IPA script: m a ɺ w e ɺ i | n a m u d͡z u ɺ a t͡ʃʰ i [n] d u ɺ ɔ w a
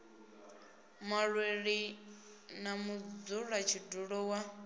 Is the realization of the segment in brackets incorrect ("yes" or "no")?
yes